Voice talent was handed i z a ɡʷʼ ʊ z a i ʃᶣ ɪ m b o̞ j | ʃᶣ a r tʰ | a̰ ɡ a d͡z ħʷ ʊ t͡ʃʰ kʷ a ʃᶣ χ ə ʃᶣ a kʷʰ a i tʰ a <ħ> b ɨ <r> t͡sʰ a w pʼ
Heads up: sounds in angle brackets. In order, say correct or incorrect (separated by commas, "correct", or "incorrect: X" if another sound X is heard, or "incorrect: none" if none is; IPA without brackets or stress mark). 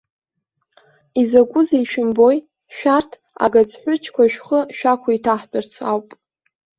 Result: correct, correct